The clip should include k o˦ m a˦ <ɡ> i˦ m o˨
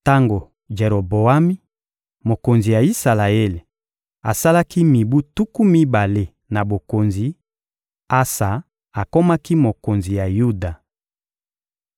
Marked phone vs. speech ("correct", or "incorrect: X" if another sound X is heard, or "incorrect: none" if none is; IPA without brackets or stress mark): incorrect: k